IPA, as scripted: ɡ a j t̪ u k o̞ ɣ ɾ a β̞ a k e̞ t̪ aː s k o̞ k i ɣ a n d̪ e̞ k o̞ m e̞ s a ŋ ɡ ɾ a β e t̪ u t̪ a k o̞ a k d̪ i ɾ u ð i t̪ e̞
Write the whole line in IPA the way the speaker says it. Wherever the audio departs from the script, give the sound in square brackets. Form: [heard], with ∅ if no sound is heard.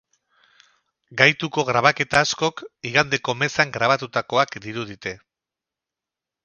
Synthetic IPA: ɡ a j t̪ u k o̞ ɣ ɾ a β̞ a k e̞ t̪ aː s k o̞ k i ɣ a n d̪ e̞ k o̞ m e̞ s a ŋ ɡ ɾ a β [a] t̪ u t̪ a k o̞ a k d̪ i ɾ u ð i t̪ e̞